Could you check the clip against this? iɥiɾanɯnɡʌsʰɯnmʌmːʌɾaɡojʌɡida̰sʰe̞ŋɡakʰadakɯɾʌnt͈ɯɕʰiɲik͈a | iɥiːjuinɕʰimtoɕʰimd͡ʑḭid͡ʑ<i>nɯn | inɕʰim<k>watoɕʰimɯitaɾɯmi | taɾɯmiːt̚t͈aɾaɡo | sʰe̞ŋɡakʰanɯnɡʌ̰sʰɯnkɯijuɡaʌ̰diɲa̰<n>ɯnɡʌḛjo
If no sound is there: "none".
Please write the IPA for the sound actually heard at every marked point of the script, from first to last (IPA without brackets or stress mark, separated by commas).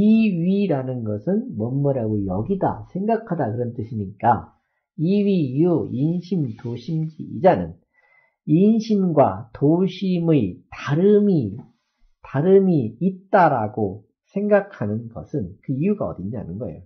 a, ɡ, n